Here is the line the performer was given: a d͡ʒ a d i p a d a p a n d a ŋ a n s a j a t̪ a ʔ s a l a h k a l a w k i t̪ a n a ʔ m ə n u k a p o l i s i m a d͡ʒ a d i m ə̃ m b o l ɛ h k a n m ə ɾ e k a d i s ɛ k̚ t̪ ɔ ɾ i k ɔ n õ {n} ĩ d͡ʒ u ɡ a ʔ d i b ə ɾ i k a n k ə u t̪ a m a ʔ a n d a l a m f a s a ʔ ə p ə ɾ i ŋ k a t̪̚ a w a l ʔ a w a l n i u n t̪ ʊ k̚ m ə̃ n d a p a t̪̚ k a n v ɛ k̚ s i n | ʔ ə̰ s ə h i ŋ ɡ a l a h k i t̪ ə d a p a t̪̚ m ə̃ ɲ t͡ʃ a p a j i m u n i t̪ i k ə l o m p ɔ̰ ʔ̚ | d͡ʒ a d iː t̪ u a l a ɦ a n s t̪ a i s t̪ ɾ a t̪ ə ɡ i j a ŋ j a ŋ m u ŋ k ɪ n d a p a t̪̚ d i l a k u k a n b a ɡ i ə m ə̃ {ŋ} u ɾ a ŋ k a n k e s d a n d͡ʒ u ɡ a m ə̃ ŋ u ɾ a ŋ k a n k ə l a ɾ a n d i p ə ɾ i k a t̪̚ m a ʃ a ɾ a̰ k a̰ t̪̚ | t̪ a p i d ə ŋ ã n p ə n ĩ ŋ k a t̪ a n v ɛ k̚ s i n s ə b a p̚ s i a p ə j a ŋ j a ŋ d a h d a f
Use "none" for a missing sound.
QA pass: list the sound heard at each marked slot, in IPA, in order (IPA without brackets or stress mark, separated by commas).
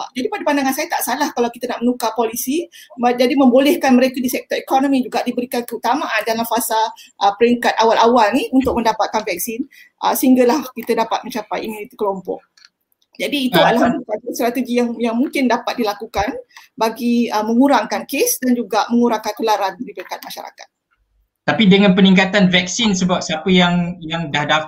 m, ŋ